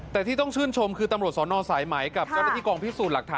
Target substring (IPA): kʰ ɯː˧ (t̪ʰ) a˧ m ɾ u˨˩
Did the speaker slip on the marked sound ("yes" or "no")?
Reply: yes